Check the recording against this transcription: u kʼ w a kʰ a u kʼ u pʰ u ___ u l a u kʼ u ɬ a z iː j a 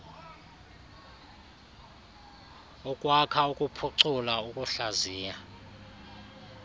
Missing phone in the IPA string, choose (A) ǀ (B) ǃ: A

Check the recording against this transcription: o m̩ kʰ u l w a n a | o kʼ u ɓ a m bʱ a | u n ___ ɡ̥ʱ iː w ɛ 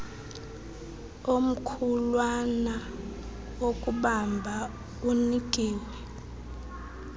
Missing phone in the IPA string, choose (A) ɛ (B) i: B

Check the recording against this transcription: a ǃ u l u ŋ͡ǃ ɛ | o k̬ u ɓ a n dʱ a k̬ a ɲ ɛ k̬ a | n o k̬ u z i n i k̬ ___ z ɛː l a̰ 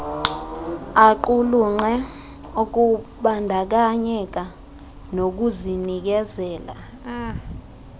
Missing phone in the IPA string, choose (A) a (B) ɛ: B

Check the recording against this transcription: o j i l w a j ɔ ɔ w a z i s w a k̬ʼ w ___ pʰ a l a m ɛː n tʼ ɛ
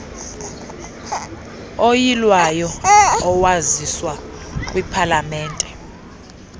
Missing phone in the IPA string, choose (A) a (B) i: B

